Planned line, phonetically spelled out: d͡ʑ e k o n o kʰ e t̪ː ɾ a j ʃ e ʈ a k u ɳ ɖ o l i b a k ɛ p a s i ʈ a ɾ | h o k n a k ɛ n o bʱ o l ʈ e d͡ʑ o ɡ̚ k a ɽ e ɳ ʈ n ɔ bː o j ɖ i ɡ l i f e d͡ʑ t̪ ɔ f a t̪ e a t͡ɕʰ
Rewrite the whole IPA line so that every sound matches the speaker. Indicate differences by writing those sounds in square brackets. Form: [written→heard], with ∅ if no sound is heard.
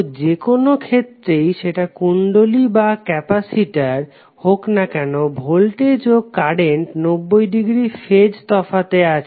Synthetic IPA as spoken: d͡ʑ e k o n o kʰ e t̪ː ɾ [a→e] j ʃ e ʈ a k u ɳ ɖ o l i b a k ɛ p a s i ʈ a ɾ | h o k n a k ɛ n o bʱ o l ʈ e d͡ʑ o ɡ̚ k a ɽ e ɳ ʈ n [ɔ→o] bː o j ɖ i ɡ [l→ɾ] i f e d͡ʑ t̪ ɔ f a t̪ e a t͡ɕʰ